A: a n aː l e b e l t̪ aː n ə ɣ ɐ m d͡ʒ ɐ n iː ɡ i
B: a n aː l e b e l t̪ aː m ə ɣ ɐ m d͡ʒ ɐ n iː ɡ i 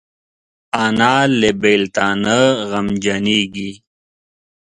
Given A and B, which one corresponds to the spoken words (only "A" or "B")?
A